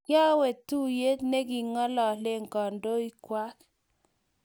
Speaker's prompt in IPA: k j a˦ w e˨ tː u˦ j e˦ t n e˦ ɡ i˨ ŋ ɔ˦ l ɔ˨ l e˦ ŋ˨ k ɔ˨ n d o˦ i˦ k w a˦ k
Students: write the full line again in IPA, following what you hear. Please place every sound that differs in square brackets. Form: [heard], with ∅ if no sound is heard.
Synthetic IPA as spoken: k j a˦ w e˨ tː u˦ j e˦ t n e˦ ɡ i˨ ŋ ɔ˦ l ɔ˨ l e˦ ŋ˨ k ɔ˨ n d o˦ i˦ k w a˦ k

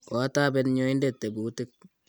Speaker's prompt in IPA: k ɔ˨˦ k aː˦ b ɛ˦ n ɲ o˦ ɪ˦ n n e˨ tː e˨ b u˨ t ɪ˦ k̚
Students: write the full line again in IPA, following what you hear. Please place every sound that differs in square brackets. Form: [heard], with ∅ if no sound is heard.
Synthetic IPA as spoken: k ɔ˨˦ [t] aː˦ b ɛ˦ n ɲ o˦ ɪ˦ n [d] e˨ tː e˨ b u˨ t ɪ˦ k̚

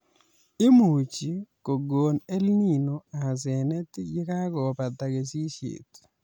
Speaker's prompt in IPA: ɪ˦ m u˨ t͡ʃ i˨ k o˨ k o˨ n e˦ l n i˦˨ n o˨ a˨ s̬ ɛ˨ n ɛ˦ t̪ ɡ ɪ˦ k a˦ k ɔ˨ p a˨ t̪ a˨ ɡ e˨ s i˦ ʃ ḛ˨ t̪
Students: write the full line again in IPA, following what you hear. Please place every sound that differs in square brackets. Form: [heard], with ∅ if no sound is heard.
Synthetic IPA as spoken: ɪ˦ m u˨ t͡ʃ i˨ k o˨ [ɡ] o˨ n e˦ l n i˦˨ n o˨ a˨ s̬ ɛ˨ n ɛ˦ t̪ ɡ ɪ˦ k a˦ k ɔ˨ p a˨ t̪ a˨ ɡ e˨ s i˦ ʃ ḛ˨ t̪

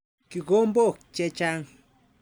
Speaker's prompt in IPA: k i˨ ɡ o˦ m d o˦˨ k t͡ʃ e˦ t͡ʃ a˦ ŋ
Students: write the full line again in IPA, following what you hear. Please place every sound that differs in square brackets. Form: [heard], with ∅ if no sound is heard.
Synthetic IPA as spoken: k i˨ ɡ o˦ m [b] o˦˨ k t͡ʃ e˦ t͡ʃ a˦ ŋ

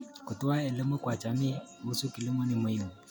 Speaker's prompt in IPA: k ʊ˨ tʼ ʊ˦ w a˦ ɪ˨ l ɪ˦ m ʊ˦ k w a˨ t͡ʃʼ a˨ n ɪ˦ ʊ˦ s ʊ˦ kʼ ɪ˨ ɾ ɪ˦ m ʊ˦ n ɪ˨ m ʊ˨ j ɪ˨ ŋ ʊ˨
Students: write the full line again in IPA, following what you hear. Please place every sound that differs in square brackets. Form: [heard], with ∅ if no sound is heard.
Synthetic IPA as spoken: k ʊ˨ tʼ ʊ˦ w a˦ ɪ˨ l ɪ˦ m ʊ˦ k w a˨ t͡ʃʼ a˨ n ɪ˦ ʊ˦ s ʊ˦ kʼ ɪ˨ [l] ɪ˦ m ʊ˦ n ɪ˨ m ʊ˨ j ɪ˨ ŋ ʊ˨

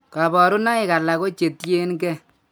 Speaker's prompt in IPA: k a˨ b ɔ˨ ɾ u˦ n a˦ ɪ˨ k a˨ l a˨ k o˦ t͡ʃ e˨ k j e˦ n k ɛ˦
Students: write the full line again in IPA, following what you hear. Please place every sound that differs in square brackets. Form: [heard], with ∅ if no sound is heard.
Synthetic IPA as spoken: k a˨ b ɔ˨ ɾ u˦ n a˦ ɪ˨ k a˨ l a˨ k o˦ t͡ʃ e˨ [t] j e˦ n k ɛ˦

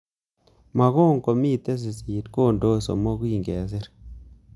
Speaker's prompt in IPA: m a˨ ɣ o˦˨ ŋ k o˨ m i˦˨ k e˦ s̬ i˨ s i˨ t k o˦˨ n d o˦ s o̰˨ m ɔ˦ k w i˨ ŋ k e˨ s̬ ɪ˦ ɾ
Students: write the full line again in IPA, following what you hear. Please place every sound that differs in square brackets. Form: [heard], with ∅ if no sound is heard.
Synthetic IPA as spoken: m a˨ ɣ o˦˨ ŋ k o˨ m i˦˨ [t] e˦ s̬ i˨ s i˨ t k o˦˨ n d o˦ s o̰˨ m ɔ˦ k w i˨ ŋ [ɡ] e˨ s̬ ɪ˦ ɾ

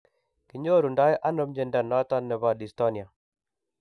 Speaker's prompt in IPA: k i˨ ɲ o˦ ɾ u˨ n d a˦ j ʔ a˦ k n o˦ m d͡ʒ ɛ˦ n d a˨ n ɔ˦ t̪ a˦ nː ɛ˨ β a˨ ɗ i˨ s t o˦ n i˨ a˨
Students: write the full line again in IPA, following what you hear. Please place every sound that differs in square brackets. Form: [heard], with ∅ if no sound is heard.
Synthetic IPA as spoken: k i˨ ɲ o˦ ɾ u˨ n d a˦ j ʔ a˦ [∅] n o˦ m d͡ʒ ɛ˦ n d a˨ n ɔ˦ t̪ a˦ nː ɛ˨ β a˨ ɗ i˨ s t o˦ n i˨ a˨

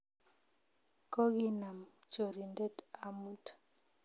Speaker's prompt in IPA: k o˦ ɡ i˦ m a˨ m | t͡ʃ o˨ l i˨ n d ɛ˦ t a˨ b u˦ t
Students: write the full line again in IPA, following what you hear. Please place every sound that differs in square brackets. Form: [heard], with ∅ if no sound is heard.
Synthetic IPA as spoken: k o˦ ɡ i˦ [n] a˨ m | t͡ʃ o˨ [ɾ] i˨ n d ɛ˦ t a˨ [m] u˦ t

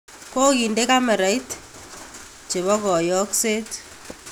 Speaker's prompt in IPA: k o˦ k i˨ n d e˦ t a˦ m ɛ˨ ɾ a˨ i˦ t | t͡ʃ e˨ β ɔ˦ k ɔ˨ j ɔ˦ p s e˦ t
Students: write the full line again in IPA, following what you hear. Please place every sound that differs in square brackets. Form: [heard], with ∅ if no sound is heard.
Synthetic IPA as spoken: k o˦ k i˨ n d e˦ [k] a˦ m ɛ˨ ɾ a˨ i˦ t | t͡ʃ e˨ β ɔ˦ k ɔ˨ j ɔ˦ [k] s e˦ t

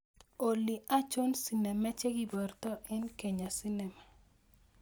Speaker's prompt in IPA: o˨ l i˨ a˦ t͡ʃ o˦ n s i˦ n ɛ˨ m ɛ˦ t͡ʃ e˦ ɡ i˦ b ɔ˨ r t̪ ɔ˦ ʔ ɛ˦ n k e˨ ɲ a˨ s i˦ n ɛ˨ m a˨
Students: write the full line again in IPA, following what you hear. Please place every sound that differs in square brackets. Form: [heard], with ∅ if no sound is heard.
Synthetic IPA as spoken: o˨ l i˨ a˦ t͡ʃ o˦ n s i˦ n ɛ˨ m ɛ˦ t͡ʃ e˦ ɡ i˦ b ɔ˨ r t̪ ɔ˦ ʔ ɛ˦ n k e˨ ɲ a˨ s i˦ n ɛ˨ m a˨

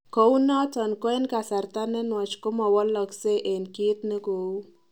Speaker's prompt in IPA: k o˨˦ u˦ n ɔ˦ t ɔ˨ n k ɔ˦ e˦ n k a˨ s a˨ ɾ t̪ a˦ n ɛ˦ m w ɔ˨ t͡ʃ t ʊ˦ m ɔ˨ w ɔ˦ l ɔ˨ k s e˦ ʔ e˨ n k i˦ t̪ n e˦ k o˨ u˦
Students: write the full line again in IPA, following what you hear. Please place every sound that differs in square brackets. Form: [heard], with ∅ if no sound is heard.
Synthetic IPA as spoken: k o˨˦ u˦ n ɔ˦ t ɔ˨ n k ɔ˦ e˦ n k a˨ s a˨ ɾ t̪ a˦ n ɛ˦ [n] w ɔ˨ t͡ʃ [k] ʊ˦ m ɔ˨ w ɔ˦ l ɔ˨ k s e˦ ʔ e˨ n k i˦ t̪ n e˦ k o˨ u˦

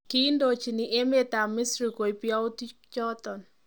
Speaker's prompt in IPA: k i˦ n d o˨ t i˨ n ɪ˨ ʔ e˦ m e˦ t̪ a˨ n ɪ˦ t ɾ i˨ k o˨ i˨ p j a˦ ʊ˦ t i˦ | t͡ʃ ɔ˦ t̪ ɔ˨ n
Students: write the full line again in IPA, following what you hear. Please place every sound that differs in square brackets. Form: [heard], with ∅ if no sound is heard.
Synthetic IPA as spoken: k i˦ n d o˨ [t͡ʃ] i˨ n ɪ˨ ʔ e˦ m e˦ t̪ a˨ [m] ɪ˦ [s] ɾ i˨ k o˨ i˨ p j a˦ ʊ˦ t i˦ | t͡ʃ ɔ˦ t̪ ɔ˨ n

